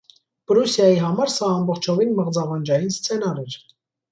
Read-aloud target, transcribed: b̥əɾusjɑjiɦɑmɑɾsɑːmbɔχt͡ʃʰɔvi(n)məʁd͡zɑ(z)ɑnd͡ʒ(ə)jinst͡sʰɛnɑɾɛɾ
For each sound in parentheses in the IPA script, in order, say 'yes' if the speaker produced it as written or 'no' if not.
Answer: yes, no, no

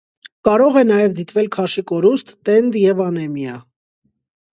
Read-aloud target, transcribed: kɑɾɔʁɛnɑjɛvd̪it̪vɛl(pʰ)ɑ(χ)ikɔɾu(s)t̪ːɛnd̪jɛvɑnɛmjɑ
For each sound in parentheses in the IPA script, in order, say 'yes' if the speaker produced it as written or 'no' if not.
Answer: no, no, yes

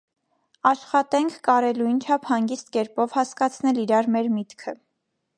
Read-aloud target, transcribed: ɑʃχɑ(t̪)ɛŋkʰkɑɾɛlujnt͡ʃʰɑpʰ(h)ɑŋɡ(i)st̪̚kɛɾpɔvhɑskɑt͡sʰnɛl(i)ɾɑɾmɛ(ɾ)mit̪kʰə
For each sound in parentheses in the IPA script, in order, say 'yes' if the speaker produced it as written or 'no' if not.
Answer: yes, yes, yes, yes, yes

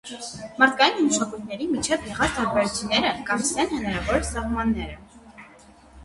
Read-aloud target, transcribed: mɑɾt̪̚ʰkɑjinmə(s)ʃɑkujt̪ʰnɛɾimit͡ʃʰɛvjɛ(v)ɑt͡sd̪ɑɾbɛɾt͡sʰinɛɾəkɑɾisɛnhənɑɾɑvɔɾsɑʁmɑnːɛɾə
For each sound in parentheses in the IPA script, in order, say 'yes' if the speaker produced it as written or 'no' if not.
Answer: no, no

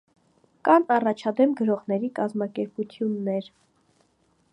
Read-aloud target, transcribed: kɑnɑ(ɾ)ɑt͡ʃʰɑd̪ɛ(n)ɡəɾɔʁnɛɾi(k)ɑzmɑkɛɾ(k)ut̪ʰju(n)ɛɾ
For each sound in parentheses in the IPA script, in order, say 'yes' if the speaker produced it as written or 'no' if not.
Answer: no, no, yes, no, no

